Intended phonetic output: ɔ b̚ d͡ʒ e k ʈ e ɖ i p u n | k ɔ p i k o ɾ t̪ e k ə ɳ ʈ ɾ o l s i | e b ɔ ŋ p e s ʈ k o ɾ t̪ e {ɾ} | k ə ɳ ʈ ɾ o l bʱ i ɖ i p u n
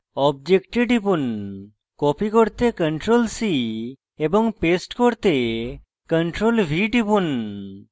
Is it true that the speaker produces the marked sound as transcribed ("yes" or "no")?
no